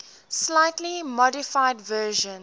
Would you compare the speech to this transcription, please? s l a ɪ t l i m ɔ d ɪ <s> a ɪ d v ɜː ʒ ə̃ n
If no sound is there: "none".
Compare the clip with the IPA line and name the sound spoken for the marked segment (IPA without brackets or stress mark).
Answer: f